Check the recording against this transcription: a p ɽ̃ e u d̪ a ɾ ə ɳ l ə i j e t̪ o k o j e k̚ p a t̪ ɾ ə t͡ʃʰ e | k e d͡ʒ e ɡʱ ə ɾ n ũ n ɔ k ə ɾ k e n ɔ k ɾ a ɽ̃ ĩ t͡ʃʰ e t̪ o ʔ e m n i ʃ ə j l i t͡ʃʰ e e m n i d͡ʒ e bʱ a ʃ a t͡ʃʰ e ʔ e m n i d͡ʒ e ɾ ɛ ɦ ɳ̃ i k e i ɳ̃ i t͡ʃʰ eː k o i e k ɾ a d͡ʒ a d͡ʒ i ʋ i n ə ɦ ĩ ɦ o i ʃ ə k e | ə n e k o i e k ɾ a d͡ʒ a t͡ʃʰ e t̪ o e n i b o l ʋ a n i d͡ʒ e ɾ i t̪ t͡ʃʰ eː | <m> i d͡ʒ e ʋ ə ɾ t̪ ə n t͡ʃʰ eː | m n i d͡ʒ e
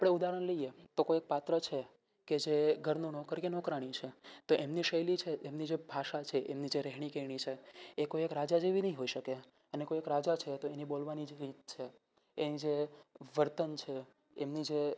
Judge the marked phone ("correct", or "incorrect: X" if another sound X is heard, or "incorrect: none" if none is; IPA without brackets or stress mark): incorrect: n